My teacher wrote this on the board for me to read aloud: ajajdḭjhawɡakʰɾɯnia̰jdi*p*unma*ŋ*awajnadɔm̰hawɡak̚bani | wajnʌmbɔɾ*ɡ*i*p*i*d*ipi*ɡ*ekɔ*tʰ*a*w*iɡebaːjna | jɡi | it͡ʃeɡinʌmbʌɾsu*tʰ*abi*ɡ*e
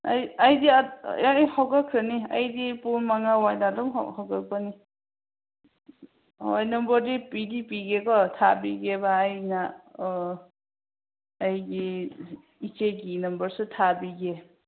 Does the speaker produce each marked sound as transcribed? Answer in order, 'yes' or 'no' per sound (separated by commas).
yes, yes, no, yes, yes, yes, yes, no, yes, yes